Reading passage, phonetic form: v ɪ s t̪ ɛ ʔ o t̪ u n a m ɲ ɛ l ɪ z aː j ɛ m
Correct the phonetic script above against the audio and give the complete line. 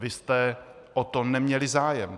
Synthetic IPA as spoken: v ɪ s t̪ ɛ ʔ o t̪ o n ɛ m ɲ ɛ l ɪ z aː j ɛ m